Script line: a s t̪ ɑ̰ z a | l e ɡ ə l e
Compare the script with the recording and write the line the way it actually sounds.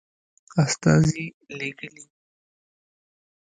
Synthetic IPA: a s t̪ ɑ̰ z i | l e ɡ ə l i